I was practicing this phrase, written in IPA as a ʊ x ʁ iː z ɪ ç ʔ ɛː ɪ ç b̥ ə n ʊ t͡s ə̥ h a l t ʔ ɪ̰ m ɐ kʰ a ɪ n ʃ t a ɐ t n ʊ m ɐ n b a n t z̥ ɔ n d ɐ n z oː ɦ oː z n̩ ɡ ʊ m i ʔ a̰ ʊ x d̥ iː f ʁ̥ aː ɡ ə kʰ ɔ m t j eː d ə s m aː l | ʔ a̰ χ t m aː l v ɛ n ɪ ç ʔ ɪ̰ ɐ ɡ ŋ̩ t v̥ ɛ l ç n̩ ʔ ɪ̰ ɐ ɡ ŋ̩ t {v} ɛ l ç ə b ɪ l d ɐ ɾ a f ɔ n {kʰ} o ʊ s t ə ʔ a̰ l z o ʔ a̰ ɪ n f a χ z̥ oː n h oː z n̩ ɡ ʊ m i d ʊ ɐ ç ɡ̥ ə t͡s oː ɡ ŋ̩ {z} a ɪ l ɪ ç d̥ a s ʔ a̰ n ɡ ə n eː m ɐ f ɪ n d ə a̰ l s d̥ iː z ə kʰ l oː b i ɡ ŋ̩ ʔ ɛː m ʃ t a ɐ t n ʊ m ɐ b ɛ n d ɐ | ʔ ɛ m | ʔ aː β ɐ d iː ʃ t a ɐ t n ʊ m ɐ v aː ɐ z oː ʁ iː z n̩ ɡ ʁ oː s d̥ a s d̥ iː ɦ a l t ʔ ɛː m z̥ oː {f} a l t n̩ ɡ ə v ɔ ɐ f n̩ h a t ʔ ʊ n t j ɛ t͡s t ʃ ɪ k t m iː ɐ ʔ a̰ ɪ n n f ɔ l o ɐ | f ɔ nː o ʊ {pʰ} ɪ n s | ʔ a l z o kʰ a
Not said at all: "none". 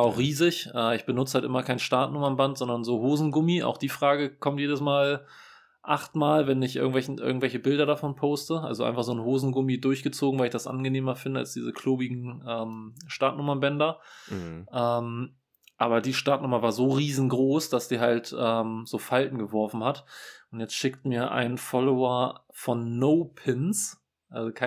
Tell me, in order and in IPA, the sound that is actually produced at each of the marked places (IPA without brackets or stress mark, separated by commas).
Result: v, pʰ, v, f, pʰ